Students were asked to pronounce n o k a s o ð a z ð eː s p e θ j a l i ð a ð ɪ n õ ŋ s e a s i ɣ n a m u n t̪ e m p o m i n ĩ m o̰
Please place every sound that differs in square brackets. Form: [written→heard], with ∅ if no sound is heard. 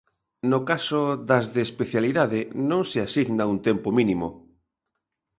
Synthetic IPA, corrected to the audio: n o k a s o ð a z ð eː s p e θ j a l i ð a ð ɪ n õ ŋ s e a s i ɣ n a [m→∅] u n t̪ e m p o m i n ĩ m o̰